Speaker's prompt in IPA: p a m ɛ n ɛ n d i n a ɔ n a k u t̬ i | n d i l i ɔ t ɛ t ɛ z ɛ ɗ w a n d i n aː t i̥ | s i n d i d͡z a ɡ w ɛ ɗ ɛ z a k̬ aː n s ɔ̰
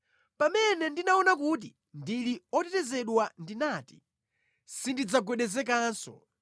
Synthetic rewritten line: p a m ɛ n ɛ n d i n a ɔ n a k u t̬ i | n d i l i ɔ t ɛ t ɛ z ɛ ɗ w a n d i n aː t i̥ | s i n d i d͡z a ɡ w ɛ ɗ ɛ z ɛ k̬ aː n s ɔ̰